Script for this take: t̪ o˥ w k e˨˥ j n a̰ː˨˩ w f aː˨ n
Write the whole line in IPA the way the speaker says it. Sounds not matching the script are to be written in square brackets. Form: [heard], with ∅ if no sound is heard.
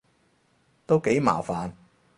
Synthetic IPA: t̪ o˥ w k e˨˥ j [m] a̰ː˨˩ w f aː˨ n